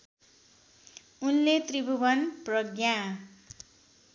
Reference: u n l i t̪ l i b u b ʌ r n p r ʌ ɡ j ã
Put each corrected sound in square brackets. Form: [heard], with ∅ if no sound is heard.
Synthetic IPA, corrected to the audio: u n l [e] t̪ [r] i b u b ʌ [∅] n p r ʌ ɡ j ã